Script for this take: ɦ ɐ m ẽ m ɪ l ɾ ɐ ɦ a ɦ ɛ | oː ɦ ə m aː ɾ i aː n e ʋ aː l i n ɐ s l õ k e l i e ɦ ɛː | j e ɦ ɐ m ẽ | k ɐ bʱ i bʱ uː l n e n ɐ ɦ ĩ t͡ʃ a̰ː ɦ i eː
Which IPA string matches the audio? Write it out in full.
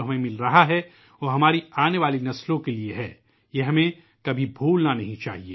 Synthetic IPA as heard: ɦ ɐ m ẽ m ɪ l ɾ ɐ ɦ a ɦ ɛ | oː ɦ ɐ m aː ɾ i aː n e ʋ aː l i n ɐ s l õ k e l i e ɦ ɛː | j e ɦ ɐ m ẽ | k ɐ bʱ i bʱ uː l n a n ɐ ɦ ĩ t͡ʃ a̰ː ɦ i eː